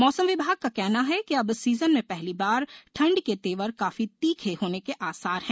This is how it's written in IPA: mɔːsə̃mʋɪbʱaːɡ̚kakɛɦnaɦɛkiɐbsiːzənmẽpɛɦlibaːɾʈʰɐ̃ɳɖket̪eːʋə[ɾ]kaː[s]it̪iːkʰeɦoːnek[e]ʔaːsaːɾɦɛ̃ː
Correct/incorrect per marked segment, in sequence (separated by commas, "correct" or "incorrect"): correct, incorrect, correct